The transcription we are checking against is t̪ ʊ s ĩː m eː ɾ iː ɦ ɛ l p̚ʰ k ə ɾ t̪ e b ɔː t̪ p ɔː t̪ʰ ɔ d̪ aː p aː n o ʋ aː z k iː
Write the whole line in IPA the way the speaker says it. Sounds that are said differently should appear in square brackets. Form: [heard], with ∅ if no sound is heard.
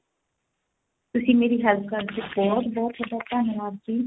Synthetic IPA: t̪ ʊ s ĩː m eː ɾ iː ɦ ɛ l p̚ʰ k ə ɾ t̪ e b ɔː t̪ [b] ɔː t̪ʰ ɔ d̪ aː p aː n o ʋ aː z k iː